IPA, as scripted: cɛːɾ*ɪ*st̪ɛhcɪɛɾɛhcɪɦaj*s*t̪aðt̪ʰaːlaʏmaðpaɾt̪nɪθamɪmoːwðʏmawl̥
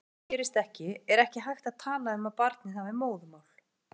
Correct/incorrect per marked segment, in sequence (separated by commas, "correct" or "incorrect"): correct, incorrect